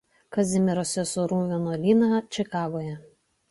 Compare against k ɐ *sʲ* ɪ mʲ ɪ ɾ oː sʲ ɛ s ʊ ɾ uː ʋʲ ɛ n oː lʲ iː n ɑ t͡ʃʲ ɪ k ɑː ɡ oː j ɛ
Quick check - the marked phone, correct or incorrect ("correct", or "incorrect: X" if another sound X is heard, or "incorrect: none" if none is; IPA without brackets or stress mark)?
incorrect: zʲ